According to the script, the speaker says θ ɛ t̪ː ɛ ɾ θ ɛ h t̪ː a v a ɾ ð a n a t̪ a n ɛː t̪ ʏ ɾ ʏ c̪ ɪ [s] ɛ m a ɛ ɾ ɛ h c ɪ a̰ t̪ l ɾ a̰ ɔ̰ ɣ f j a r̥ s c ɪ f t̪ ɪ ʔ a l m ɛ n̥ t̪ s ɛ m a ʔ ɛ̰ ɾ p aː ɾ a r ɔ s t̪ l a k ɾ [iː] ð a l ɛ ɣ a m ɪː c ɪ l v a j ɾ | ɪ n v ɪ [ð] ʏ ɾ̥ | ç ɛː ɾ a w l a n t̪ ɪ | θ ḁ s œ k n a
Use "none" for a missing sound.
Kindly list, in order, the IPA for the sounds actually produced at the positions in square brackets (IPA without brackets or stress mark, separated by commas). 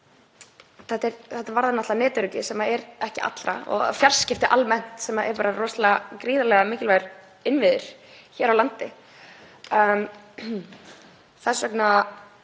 s, iː, ð